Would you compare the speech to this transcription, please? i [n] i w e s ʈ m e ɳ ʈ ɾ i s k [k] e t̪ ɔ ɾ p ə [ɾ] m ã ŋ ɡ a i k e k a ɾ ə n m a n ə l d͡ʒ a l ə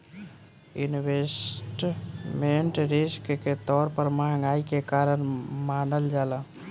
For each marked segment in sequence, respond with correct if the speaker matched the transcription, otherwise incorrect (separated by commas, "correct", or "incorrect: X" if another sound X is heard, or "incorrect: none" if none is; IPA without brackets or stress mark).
correct, correct, correct